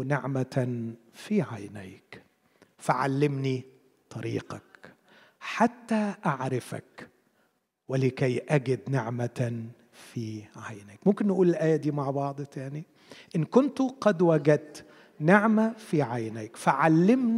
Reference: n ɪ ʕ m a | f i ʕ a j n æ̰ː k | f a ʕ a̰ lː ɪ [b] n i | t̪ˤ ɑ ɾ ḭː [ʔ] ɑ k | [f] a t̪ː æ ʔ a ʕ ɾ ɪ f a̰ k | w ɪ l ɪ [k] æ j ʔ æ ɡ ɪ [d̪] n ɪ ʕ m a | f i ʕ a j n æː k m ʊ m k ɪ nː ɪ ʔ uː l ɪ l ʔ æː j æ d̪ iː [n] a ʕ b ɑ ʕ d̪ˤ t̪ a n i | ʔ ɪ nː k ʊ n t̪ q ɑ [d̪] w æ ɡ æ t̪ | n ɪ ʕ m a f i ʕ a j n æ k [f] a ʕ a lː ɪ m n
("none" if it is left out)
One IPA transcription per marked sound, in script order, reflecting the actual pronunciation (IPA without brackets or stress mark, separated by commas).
m, q, ħ, k, d̪, m, d̪, f